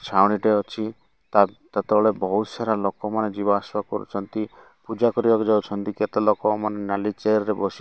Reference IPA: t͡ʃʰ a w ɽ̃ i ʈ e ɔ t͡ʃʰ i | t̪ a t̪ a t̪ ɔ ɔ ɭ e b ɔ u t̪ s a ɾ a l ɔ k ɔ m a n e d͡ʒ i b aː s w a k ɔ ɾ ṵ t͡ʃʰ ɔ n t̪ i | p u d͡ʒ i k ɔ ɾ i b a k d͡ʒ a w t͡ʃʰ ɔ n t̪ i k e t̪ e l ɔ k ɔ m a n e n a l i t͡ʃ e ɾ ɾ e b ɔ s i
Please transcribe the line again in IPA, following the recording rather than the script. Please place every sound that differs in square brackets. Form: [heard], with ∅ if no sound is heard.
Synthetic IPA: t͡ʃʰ a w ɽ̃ i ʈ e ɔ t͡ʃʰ i | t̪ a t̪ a t̪ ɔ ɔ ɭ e b ɔ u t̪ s a ɾ a l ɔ k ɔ m a n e d͡ʒ i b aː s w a k ɔ ɾ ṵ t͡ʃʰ ɔ n t̪ i | p u d͡ʒ [a] k ɔ ɾ i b a k d͡ʒ a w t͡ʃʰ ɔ n t̪ i k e t̪ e l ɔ k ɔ m a n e n a l i t͡ʃ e ɾ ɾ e b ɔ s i